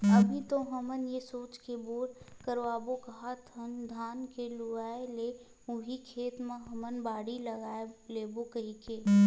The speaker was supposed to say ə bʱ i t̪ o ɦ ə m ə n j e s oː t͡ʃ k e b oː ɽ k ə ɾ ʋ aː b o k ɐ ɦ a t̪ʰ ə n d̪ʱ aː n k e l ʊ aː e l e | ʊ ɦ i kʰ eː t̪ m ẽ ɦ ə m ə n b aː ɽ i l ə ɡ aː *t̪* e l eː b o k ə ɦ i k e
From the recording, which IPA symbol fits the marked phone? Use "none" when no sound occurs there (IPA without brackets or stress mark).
none